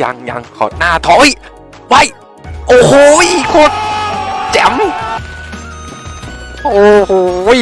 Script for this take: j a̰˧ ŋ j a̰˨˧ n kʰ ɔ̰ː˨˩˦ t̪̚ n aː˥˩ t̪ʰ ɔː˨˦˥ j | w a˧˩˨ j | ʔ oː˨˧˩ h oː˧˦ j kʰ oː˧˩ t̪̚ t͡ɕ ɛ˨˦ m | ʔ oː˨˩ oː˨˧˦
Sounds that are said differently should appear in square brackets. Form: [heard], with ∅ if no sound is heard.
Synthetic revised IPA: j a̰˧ ŋ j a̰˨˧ [ŋ] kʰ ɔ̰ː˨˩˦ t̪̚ n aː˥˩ t̪ʰ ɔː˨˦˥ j | w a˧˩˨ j | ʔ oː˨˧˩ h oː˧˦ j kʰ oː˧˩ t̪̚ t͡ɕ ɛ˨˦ m | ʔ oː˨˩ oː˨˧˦

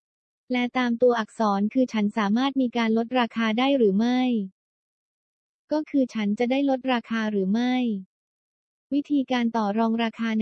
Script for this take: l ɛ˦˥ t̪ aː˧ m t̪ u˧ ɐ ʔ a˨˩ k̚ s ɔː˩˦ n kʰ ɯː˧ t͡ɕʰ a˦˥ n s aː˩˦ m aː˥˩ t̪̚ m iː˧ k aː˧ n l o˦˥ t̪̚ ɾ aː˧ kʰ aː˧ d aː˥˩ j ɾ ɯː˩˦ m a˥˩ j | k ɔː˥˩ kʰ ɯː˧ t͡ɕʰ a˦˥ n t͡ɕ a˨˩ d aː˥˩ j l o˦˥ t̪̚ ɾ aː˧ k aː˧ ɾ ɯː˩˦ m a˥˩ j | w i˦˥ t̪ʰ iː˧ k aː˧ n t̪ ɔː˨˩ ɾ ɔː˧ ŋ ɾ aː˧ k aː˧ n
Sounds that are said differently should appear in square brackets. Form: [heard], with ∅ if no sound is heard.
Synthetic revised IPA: l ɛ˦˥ t̪ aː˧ m t̪ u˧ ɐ ʔ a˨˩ k̚ s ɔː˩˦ n kʰ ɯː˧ t͡ɕʰ a˦˥ n s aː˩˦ m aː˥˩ t̪̚ m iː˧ k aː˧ n l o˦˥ t̪̚ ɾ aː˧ kʰ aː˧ d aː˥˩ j ɾ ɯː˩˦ m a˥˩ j | k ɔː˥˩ kʰ ɯː˧ t͡ɕʰ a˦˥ n t͡ɕ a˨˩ d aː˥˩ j l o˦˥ t̪̚ ɾ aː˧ [kʰ] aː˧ ɾ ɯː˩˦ m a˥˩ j | w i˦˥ t̪ʰ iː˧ k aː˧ n t̪ ɔː˨˩ ɾ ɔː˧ ŋ ɾ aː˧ [kʰ] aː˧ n

